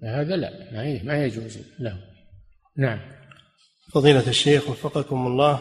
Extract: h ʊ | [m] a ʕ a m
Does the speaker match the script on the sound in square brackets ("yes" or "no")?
no